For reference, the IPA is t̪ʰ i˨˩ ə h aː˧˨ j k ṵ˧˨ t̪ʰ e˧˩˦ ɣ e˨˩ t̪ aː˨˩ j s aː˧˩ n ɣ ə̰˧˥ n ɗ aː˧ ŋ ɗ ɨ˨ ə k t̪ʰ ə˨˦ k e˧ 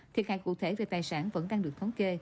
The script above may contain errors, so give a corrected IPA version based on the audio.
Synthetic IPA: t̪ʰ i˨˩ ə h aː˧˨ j k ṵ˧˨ t̪ʰ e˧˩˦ v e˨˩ t̪ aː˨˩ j s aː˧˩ n v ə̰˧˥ n ɗ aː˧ ŋ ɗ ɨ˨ ə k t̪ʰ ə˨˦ k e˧